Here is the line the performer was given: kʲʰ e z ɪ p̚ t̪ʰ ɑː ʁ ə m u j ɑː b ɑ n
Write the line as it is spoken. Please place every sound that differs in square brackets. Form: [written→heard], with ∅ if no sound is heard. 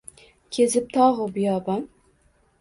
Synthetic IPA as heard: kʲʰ e z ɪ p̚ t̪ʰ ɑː ʁ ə [m→b] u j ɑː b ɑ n